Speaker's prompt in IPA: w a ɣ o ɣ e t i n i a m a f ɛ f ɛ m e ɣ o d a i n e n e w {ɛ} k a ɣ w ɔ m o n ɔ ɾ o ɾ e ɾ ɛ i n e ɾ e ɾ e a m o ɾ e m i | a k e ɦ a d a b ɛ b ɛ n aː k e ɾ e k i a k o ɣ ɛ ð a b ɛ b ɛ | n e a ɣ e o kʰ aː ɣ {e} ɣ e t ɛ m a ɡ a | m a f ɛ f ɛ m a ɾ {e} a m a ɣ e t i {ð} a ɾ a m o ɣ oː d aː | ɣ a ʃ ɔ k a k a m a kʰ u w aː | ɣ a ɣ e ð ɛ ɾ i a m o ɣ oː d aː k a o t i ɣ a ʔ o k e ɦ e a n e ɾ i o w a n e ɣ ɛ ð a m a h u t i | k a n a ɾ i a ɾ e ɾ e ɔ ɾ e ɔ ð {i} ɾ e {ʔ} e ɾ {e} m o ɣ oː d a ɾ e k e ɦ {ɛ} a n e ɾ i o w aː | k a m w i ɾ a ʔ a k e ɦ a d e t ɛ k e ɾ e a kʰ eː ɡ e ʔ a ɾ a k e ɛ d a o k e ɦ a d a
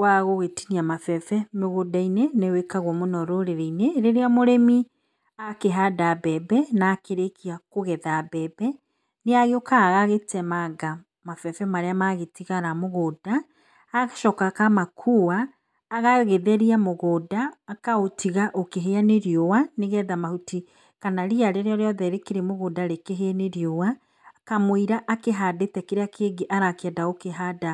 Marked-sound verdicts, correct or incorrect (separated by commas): incorrect, incorrect, correct, incorrect, incorrect, incorrect, correct, incorrect